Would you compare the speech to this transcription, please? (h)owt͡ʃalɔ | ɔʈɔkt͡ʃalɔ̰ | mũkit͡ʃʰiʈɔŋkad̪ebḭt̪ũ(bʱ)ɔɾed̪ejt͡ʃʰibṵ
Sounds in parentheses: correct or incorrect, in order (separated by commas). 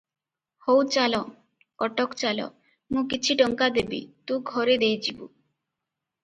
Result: correct, incorrect